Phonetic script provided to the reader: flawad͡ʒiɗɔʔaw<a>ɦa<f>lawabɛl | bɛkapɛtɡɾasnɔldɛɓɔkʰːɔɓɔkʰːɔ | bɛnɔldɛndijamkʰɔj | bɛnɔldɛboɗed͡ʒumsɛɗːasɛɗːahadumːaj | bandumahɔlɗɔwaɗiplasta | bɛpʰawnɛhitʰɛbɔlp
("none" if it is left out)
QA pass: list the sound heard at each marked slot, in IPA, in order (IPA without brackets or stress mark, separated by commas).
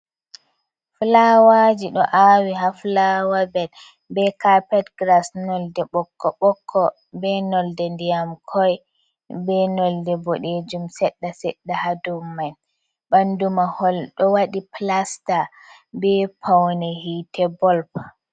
i, f